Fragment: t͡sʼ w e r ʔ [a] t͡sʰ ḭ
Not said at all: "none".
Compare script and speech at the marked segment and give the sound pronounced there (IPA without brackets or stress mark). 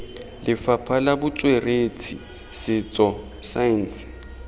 e